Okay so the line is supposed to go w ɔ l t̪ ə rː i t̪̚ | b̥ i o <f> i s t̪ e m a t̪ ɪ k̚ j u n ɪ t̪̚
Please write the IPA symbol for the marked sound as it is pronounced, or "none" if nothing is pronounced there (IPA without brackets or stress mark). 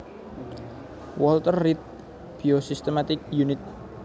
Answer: s